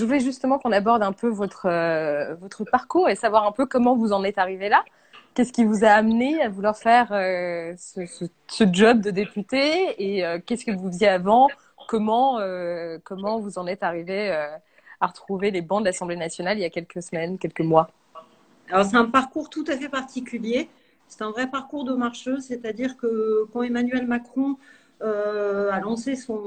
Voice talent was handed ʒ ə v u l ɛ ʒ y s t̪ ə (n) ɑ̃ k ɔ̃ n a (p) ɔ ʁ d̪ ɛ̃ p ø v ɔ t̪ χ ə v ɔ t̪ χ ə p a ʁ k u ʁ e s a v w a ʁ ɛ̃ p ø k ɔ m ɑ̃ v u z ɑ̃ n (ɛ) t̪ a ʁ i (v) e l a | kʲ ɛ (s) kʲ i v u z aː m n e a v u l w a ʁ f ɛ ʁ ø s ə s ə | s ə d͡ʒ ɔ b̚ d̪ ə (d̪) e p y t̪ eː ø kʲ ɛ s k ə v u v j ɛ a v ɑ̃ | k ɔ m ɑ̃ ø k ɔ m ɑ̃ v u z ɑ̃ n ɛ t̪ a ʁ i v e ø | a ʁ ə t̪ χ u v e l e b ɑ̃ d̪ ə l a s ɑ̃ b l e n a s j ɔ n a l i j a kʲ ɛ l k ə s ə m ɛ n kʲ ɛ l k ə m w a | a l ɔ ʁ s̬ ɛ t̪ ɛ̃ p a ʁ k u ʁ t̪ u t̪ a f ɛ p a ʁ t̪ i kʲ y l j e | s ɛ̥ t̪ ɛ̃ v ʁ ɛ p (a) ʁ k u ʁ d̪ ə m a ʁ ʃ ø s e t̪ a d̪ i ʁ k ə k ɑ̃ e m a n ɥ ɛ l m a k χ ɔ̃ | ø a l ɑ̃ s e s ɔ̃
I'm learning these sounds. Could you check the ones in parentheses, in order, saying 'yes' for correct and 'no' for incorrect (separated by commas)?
no, no, yes, yes, yes, yes, yes